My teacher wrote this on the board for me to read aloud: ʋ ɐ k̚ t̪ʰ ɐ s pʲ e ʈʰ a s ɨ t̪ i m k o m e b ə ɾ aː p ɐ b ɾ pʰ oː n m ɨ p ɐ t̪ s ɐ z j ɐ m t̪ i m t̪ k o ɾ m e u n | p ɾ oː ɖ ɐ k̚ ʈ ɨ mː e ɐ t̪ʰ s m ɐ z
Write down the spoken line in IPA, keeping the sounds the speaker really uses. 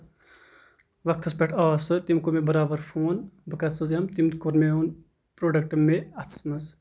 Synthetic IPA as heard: ʋ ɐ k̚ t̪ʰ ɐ s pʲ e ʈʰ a s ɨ t̪ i m k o m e b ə ɾ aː b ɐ ɾ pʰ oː n b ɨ k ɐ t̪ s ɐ z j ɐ m t̪ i m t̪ k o ɾ m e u n | p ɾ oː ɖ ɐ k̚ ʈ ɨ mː e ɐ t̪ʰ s m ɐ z